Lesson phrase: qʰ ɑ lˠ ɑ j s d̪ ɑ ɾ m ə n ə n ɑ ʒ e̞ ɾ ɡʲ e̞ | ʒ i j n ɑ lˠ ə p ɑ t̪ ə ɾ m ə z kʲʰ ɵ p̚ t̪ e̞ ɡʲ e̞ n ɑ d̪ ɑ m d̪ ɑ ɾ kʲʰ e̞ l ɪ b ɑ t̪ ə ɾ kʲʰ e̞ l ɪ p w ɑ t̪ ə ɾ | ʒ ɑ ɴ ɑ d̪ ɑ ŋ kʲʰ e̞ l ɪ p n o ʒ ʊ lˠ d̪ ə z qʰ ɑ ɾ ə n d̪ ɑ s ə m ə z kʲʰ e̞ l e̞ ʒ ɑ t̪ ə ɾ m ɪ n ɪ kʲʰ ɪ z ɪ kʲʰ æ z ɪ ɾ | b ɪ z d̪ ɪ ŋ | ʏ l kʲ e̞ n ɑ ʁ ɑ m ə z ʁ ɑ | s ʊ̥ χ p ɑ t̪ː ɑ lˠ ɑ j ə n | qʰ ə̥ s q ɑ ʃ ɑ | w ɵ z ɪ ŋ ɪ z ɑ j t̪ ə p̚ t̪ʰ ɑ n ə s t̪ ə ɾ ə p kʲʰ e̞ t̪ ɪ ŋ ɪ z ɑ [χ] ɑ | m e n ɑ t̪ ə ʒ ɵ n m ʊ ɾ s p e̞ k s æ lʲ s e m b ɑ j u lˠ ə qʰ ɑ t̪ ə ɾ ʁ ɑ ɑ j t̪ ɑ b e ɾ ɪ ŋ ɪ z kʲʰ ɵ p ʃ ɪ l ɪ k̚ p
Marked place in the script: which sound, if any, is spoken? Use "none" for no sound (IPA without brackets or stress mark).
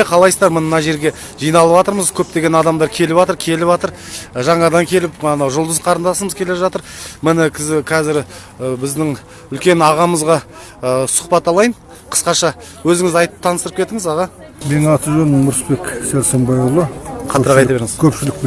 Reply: ʁ